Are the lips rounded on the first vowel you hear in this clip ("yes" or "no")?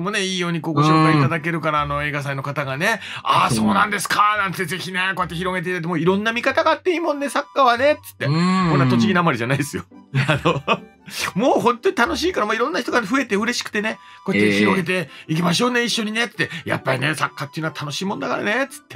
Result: yes